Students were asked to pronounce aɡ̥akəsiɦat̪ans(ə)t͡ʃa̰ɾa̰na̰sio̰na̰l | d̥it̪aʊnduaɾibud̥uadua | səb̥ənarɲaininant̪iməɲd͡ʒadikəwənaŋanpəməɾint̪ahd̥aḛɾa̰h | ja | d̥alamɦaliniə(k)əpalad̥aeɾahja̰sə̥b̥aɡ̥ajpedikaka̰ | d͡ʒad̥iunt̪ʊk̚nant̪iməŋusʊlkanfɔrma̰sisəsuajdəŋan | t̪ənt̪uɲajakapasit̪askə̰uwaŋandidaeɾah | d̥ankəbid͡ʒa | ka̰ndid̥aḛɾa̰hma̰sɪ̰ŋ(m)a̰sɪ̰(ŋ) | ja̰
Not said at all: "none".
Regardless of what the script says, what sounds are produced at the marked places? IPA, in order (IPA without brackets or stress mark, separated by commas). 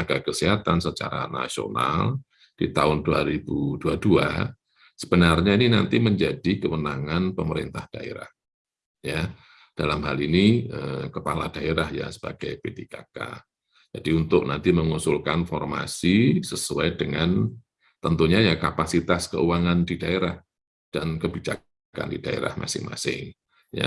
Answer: ə, k, m, ŋ